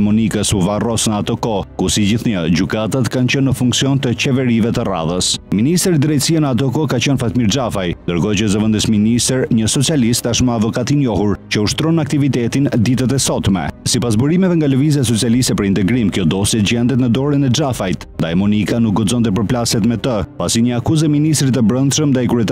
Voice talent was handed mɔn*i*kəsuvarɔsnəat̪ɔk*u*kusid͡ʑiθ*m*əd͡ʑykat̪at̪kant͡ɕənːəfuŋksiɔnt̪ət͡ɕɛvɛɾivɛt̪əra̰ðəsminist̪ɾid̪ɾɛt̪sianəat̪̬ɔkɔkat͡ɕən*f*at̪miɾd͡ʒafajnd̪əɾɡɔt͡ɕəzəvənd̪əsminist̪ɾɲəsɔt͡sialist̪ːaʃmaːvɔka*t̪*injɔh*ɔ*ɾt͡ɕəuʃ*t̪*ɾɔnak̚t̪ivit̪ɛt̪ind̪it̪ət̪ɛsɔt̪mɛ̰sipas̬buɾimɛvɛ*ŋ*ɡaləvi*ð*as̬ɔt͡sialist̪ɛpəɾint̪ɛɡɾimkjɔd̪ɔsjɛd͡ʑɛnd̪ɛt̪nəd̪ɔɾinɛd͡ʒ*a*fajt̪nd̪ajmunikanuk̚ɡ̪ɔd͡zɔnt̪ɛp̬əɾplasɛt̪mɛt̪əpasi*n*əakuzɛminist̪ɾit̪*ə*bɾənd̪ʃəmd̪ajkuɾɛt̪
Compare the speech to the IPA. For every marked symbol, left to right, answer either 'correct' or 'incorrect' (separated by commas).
correct, incorrect, incorrect, correct, correct, incorrect, correct, correct, incorrect, correct, incorrect, correct